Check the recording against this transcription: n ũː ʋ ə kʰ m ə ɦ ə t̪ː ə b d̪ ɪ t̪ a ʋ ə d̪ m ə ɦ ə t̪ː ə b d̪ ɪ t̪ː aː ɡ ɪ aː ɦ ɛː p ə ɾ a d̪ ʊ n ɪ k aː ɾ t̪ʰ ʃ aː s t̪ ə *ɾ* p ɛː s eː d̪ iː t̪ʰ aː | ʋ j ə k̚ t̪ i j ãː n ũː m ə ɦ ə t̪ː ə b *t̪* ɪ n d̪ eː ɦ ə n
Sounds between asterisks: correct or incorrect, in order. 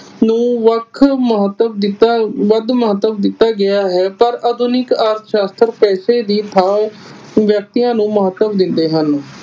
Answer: correct, incorrect

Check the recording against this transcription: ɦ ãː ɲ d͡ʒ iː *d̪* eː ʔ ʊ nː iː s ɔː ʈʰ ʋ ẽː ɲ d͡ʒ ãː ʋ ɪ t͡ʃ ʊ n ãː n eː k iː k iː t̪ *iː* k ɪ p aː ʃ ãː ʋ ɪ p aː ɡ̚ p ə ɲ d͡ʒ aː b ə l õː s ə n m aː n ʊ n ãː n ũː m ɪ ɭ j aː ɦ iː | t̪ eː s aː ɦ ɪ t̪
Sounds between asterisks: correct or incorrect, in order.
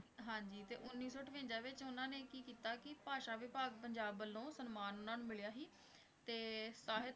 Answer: incorrect, incorrect

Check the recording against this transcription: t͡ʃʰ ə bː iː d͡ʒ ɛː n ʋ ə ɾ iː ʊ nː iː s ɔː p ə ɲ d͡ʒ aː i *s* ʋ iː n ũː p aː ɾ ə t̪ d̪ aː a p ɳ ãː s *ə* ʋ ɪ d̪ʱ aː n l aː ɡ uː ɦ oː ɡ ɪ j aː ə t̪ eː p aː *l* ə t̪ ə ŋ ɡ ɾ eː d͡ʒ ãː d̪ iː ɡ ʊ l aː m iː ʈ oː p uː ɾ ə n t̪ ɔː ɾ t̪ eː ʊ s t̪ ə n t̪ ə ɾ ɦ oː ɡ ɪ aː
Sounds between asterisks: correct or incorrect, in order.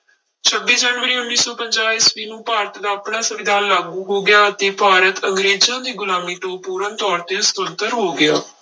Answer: correct, correct, incorrect

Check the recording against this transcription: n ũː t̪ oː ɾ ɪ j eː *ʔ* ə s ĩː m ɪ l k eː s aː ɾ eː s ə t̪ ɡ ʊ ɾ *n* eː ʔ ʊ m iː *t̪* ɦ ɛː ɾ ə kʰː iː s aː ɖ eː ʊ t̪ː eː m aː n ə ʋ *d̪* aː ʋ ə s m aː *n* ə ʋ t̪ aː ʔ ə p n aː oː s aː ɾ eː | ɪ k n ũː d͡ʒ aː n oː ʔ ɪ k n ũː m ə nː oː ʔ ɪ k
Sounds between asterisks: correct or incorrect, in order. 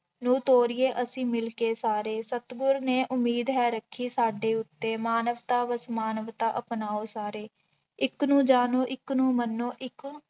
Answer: correct, correct, incorrect, incorrect, correct

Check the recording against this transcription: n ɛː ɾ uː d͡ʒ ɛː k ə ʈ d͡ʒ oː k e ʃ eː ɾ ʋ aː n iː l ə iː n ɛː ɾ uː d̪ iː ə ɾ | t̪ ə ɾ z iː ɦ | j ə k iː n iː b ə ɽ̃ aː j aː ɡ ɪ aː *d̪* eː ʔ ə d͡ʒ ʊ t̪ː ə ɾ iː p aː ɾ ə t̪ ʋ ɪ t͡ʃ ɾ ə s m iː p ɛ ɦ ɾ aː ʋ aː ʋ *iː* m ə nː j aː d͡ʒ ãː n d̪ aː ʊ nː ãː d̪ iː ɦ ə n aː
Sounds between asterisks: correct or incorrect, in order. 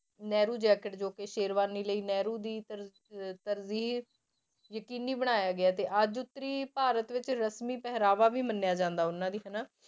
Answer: incorrect, correct

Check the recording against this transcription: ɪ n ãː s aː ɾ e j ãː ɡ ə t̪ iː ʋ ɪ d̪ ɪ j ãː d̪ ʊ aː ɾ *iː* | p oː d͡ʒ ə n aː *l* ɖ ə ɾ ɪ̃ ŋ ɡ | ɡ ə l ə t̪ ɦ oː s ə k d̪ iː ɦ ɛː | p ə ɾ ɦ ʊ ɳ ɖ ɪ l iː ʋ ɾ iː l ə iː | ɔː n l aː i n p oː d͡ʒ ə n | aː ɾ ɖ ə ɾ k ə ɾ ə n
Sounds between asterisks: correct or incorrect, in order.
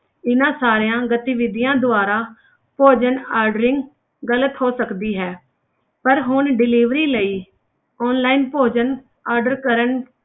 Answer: incorrect, incorrect

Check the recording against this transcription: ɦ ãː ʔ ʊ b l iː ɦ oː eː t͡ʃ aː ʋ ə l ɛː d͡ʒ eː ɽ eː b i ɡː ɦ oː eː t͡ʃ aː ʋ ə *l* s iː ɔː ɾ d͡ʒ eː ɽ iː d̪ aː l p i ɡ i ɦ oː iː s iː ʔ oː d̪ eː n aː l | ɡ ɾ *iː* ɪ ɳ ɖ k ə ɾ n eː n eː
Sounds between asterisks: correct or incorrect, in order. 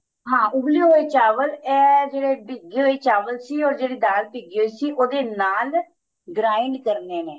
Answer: correct, incorrect

